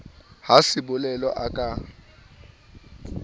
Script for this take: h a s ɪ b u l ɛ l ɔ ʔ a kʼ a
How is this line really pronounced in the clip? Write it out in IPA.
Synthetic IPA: h a s ɪ b ʊ l ɛ l ɔ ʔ a kʼ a